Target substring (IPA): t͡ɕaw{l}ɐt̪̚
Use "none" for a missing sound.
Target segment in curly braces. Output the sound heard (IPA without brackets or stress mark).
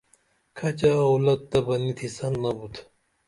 l